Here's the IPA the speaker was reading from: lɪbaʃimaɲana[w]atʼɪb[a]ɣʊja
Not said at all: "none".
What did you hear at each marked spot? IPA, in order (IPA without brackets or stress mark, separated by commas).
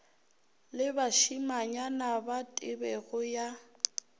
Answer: b, ɛ